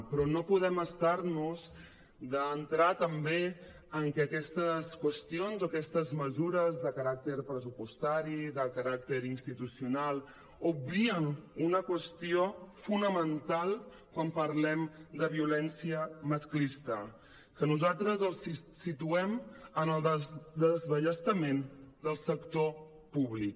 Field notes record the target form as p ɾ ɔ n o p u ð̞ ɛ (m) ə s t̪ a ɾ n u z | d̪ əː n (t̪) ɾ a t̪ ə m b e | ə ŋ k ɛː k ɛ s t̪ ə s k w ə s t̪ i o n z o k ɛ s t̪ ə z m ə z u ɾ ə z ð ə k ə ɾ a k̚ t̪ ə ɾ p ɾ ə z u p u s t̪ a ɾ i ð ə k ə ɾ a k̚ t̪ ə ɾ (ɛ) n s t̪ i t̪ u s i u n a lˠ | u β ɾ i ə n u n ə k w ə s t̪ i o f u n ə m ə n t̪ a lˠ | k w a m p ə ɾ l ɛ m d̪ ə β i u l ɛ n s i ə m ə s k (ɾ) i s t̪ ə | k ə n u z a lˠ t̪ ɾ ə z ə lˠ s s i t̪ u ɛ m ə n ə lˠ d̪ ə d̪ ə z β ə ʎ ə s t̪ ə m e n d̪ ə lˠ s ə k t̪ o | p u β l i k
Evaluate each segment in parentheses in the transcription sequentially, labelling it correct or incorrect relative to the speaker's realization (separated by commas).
correct, correct, incorrect, incorrect